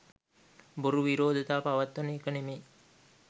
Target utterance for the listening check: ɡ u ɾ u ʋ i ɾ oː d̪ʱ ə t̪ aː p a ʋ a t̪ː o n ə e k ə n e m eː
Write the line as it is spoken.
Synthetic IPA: b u ɾ u ʋ i ɾ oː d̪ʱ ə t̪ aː p a ʋ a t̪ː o n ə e k ə n e m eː